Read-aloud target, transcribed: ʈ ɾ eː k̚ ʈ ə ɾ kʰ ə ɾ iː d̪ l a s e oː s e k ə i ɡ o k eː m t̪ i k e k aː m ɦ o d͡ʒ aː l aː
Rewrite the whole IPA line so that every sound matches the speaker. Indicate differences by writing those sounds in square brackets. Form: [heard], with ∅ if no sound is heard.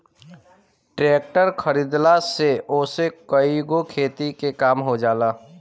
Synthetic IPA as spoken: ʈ ɾ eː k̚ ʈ ə ɾ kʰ ə ɾ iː d̪ l a s e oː s e k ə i ɡ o [kʰ] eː [∅] t̪ i k e k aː m ɦ o d͡ʒ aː l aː